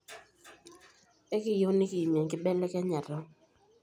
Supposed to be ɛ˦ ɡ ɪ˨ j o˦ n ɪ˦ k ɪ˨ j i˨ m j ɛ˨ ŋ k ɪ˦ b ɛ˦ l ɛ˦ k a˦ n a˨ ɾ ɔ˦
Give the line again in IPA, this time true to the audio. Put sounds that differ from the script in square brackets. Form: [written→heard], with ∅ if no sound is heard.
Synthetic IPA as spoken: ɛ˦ [ɡ→k] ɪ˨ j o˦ n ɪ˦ k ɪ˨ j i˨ m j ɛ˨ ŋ k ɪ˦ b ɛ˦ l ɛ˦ k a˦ [n→ɲ] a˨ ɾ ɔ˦